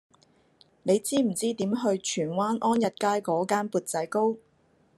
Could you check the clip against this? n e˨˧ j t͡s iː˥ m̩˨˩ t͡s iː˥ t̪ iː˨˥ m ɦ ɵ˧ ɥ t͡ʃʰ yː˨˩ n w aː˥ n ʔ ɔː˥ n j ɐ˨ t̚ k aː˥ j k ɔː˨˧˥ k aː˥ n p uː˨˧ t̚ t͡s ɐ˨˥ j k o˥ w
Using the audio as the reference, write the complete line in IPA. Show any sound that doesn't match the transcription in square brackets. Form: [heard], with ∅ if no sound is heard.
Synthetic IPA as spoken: n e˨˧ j t͡s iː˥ m̩˨˩ t͡s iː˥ t̪ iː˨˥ m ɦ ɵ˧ ɥ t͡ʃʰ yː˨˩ n w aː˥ n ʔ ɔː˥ n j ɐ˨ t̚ k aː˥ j k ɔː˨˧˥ k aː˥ n p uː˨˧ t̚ t͡s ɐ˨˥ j k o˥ w